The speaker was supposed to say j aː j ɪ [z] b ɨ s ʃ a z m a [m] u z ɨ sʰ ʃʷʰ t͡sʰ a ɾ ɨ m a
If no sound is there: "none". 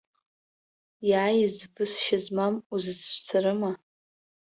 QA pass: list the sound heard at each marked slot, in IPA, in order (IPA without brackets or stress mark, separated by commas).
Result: z, m